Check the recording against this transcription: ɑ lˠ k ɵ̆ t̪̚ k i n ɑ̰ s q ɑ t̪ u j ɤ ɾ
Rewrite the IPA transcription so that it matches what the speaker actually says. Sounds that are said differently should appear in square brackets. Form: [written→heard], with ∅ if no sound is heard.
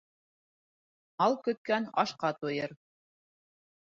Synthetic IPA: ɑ lˠ k ɵ̆ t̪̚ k [i→æ] n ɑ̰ [s→ʃ] q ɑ t̪ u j ɤ ɾ